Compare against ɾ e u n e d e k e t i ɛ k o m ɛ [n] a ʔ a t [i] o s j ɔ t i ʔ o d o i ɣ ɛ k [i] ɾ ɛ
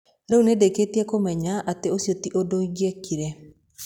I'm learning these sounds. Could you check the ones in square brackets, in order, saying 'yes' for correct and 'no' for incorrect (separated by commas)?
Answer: no, no, yes